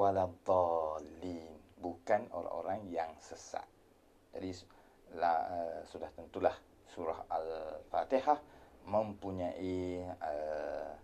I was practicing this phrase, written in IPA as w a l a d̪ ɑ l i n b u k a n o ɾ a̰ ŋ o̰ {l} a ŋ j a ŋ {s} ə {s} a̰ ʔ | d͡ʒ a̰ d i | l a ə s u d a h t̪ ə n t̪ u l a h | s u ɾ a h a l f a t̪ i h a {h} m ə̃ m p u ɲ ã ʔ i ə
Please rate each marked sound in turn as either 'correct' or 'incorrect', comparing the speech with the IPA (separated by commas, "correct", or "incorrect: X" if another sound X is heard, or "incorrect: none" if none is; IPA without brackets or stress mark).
incorrect: ɾ, correct, correct, correct